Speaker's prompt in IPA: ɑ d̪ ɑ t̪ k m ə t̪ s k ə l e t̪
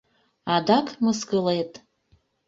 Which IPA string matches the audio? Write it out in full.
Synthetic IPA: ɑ d̪ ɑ k m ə s k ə l e t̪

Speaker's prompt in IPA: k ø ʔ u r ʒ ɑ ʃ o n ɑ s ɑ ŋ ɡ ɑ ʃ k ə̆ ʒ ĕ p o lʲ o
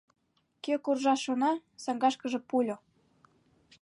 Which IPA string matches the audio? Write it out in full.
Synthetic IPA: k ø k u r ʒ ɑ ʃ o n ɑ s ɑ ŋ ɡ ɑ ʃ k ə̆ ʒ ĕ p u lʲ o

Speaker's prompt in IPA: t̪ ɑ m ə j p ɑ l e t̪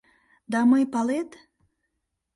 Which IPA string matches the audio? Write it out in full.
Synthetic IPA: d̪ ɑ m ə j p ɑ l e t̪

